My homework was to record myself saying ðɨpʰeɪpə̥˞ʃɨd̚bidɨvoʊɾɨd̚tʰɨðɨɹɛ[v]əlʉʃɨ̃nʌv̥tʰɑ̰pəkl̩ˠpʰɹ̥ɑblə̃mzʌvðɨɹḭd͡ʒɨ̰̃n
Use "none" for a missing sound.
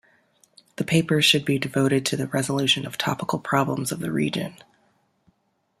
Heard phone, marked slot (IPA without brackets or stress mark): z